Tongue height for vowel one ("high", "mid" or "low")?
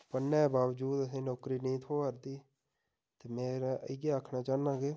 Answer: mid